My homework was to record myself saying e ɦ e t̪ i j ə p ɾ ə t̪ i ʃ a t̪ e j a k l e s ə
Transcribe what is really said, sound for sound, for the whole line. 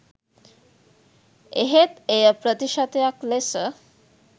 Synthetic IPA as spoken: e ɦ e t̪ e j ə p ɾ ə t̪ i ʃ a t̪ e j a k l e s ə